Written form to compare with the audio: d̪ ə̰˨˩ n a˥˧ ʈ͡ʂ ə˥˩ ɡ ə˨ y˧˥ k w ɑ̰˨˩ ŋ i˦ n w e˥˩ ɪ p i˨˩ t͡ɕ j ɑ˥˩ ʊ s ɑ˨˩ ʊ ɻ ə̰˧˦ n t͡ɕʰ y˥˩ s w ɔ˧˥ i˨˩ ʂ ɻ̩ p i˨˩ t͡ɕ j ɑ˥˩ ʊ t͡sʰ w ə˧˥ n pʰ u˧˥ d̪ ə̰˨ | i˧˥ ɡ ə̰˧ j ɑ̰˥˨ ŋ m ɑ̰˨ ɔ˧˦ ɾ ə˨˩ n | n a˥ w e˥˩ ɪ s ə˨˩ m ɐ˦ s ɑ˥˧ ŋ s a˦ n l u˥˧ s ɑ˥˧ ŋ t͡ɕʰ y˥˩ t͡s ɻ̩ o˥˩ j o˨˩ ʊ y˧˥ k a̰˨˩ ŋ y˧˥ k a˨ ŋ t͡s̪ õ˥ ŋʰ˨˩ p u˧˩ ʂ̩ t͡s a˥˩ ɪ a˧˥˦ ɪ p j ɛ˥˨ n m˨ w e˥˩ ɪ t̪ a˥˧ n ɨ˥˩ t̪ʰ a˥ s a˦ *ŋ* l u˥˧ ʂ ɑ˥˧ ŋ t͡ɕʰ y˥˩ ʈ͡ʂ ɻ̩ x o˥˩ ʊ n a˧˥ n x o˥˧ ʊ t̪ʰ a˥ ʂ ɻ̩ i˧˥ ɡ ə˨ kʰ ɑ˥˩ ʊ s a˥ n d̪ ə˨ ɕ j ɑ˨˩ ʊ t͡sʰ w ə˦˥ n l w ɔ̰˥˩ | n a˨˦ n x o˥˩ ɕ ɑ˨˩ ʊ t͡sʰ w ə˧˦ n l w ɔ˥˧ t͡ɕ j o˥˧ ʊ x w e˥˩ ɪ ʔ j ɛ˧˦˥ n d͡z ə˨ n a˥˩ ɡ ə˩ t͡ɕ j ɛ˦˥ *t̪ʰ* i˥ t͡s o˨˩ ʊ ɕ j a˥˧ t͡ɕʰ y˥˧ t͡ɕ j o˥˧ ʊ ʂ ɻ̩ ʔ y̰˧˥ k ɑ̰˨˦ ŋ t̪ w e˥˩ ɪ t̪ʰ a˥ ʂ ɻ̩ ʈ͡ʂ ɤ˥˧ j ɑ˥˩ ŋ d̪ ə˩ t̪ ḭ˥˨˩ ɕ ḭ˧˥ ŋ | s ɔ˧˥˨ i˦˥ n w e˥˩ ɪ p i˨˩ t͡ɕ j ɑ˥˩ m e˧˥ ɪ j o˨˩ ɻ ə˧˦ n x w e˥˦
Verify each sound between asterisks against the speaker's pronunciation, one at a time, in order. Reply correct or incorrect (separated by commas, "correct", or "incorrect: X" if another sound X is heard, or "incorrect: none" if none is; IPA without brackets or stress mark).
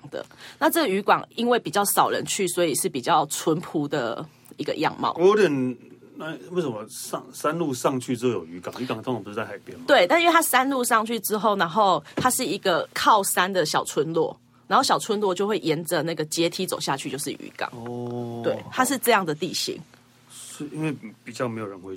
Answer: incorrect: n, correct